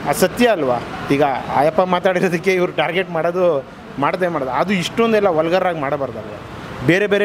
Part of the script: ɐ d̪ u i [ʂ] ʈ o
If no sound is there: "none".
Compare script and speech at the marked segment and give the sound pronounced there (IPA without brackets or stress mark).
ʂ